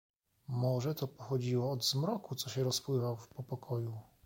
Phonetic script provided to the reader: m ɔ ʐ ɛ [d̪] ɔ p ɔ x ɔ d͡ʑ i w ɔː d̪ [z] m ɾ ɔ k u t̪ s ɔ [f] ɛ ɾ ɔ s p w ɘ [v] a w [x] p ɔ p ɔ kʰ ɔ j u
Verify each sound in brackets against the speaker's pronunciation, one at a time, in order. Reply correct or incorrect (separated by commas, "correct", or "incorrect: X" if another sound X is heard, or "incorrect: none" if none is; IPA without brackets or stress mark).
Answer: incorrect: t̪, correct, incorrect: ɕ, correct, incorrect: f